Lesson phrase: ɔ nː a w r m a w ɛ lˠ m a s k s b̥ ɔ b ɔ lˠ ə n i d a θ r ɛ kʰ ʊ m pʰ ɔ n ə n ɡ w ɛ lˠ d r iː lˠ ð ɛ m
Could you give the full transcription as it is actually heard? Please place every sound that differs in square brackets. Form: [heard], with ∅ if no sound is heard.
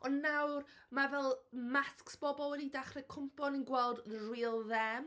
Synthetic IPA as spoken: ɔ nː a w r m a [v] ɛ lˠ m a s k s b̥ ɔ b ɔ lˠ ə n i d a [χ] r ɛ kʰ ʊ m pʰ ɔ n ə n ɡ w ɛ lˠ d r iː lˠ ð ɛ m